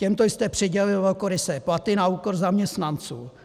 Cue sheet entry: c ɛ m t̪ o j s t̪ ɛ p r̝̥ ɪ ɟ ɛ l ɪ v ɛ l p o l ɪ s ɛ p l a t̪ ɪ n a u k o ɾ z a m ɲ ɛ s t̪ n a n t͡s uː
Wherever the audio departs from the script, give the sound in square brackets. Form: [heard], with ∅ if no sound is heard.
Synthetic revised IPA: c ɛ m t̪ o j s t̪ ɛ p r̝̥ ɪ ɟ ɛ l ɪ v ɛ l [k] o [ɾ] ɪ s ɛ p l a t̪ ɪ n a u k o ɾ z a m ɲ ɛ s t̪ n a n t͡s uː